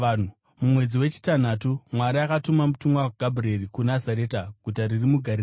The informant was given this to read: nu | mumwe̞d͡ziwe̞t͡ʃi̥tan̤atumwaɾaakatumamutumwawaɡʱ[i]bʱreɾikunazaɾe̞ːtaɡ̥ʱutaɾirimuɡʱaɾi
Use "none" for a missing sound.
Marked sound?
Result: a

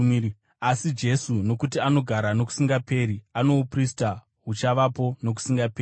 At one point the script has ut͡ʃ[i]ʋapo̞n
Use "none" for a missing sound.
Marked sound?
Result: a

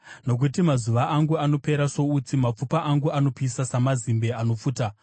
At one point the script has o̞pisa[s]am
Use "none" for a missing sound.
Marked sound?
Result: s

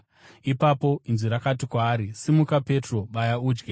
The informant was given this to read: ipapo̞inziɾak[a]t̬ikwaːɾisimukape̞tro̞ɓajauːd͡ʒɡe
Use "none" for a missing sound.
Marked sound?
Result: a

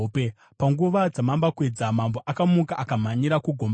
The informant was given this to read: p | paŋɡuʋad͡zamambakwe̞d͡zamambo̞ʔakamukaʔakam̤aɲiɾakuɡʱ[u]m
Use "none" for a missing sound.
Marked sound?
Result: o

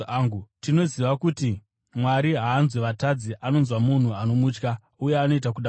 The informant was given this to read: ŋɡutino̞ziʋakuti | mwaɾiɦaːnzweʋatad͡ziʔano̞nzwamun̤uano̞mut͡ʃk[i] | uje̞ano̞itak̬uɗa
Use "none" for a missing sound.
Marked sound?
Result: a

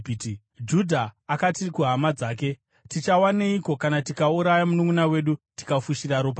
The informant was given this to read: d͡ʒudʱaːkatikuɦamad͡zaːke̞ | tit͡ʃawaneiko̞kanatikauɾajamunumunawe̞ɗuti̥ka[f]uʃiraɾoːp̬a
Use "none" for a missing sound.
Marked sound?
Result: f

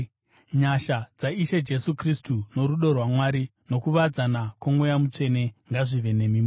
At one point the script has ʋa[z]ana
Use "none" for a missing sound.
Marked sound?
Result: d͡z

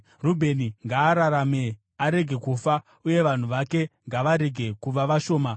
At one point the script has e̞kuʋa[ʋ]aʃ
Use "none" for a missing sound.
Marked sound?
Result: ʋ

